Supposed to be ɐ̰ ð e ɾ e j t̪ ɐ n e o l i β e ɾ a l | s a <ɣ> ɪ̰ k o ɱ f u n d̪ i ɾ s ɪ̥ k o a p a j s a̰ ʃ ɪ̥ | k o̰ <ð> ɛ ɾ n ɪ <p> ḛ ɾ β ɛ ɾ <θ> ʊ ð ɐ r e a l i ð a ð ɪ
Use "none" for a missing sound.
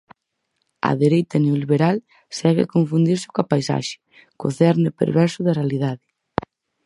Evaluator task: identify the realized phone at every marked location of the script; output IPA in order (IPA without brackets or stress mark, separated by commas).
ɣ, θ, p, s